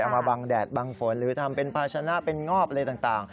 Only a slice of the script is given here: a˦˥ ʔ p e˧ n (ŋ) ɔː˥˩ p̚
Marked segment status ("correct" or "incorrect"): correct